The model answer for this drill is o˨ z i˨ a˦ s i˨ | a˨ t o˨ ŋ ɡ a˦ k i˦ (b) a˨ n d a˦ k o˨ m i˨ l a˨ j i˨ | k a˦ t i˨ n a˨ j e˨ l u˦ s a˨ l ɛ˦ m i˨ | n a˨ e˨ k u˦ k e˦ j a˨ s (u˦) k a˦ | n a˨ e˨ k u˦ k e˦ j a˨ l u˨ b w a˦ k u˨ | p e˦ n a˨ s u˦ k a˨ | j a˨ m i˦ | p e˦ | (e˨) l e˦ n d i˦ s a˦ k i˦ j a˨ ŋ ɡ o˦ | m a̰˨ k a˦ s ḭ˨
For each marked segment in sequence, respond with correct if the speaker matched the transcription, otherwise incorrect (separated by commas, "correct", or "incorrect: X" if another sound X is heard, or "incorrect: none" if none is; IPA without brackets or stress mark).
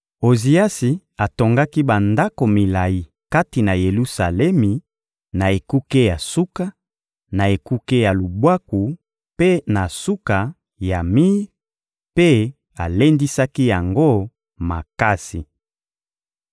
correct, correct, incorrect: a˨